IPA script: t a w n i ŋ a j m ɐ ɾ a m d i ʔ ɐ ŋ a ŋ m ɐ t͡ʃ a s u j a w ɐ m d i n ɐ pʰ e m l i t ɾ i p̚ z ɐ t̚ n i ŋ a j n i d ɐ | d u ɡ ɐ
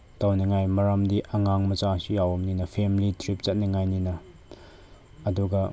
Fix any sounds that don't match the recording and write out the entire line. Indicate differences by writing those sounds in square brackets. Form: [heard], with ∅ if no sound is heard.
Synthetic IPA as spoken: t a w n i ŋ a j m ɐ ɾ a m d i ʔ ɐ ŋ a ŋ m ɐ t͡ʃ a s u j a w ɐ m [n] i n ɐ pʰ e m l i t ɾ i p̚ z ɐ t̚ n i ŋ a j n i [n] ɐ | d u ɡ ɐ